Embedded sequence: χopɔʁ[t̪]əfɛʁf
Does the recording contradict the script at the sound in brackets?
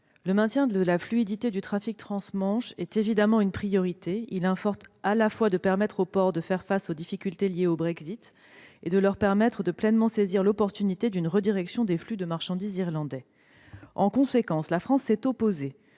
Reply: yes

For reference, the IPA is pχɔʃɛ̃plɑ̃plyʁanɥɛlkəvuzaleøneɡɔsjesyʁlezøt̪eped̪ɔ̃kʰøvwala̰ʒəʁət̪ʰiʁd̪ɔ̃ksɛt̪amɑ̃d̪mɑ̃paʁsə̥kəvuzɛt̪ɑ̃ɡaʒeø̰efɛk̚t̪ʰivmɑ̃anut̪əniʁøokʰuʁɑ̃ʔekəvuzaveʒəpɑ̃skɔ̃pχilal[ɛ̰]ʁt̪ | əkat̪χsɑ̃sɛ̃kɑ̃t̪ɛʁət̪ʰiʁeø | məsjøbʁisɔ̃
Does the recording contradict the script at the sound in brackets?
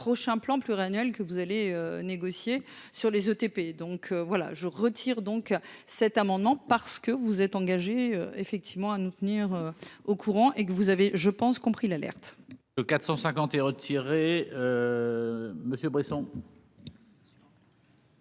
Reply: no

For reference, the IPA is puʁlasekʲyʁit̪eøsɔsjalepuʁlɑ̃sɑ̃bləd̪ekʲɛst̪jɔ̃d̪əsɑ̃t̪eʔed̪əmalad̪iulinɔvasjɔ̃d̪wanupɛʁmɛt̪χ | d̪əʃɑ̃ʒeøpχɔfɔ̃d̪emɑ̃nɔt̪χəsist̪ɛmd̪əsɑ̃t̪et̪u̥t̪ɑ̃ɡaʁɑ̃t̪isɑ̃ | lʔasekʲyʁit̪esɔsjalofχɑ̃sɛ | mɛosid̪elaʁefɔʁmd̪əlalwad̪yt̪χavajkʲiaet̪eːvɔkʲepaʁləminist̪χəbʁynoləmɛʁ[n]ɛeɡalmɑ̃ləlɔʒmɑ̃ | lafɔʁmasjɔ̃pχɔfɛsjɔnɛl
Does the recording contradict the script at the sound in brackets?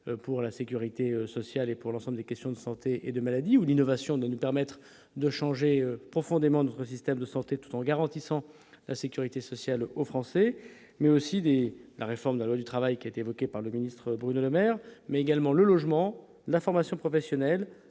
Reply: yes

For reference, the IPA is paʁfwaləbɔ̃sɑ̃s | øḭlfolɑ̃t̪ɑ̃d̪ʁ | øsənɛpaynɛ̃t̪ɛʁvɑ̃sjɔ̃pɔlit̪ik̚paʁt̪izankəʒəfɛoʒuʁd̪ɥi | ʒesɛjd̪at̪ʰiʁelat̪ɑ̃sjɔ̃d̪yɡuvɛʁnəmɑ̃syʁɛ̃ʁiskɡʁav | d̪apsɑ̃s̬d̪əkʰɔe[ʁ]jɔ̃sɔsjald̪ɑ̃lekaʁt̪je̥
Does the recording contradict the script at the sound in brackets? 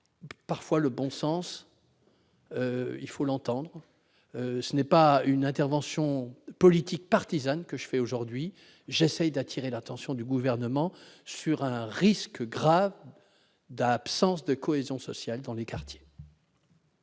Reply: yes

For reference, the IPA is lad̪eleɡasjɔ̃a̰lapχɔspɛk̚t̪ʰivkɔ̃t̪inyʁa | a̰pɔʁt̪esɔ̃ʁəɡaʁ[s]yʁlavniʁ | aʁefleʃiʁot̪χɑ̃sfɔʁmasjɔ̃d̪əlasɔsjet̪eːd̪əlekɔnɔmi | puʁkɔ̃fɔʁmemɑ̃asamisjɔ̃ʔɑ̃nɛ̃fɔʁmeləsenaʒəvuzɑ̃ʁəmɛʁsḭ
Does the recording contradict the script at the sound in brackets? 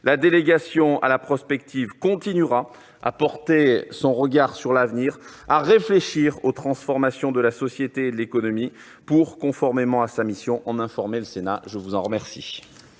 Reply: no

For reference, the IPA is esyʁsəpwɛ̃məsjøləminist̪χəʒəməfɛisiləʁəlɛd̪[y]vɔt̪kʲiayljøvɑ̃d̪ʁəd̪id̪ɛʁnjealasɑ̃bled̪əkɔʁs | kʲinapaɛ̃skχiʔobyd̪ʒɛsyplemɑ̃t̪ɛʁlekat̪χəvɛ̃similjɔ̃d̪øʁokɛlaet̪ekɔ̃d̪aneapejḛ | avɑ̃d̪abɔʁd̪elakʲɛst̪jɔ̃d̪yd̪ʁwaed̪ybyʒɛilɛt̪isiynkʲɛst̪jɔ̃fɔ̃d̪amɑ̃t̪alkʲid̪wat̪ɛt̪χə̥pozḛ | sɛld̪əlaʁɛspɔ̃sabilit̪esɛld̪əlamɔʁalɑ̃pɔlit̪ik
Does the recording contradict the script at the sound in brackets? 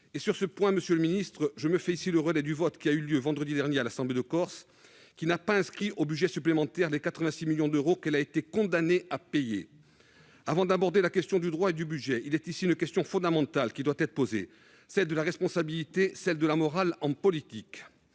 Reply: no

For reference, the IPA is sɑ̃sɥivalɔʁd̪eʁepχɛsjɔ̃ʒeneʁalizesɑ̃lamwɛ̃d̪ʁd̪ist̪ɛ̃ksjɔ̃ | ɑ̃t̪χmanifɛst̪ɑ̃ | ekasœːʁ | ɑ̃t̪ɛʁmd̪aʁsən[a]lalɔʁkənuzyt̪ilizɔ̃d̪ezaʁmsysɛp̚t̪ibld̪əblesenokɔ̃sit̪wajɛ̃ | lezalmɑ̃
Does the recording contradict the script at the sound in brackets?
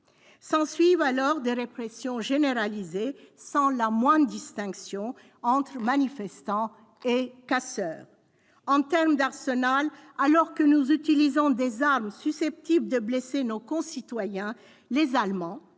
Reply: no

